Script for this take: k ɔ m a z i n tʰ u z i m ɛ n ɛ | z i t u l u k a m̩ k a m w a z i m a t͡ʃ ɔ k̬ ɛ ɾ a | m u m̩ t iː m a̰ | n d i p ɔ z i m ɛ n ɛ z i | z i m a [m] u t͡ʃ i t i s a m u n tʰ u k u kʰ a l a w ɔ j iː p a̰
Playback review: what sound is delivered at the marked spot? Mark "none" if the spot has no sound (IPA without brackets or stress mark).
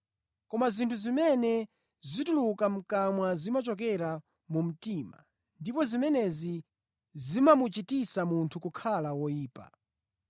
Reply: m